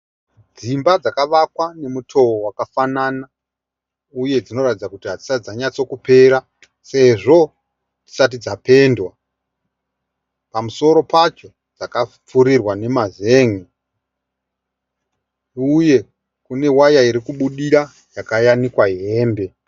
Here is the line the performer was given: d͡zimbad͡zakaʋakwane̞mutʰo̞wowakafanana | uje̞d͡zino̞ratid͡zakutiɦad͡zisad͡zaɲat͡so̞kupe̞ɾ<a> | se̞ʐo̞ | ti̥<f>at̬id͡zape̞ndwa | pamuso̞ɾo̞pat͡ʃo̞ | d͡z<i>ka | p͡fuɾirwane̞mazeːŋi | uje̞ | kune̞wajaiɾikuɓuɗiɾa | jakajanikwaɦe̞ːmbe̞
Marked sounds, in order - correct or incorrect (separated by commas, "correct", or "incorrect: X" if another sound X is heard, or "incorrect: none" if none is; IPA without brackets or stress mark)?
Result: correct, incorrect: s, incorrect: a